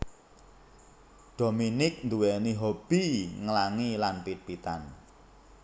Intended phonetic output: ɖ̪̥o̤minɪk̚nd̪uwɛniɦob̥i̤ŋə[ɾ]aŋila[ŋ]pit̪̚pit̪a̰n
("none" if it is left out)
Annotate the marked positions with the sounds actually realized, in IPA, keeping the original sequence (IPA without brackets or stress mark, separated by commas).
l, n